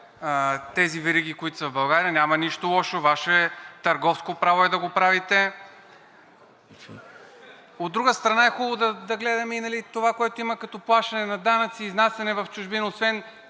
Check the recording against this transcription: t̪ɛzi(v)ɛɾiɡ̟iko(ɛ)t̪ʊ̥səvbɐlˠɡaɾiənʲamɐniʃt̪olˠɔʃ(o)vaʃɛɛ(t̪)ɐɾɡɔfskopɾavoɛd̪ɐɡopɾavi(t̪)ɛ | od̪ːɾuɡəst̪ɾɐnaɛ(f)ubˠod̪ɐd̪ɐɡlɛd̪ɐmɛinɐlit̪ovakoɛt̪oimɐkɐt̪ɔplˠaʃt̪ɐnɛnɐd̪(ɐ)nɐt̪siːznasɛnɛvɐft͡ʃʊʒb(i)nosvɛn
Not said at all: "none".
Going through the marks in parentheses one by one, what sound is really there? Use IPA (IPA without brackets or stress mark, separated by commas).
v, i, o, t̪, t̪, x, a, i